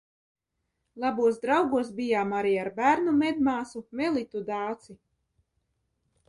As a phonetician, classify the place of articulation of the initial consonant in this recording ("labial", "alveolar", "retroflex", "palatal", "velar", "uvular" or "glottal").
alveolar